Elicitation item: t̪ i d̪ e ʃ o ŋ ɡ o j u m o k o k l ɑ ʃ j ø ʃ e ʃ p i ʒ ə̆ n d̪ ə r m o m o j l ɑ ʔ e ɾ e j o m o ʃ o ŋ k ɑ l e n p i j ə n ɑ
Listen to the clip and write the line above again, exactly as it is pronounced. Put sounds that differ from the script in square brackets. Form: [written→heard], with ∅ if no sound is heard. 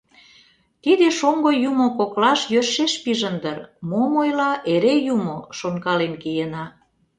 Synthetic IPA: t̪ i d̪ e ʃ o ŋ ɡ o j u m o k o k l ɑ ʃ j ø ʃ e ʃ p i ʒ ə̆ n d̪ ə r m o m o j l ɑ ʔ e ɾ e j [o→u] m o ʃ o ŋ k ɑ l e n [p→k] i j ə n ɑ